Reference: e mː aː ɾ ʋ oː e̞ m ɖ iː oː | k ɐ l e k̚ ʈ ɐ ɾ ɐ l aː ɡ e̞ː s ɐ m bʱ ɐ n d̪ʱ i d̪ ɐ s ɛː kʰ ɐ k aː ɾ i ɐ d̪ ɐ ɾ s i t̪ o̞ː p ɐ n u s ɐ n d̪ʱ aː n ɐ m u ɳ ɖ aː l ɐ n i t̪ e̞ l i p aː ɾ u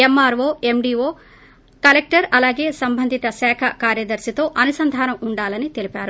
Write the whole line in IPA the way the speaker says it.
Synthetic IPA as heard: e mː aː ɾ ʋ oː e̞ m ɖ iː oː | k ɐ l e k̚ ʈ ɐ ɾ ɐ l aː ɡ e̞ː s ɐ m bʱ ɐ n d̪ʱ i t̪ ɐ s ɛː kʰ ɐ k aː ɾ j ɐ d̪ ɐ ɾ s i t̪ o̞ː ʔ ɐ n u s ɐ n d̪ʱ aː n ɐ m u ɳ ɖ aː l ɐ n i t̪ e̞ l i p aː ɾ u